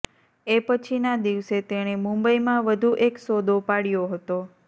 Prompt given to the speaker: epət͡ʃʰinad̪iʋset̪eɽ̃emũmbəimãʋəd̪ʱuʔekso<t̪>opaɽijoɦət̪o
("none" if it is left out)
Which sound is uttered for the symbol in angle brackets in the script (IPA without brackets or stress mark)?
d̪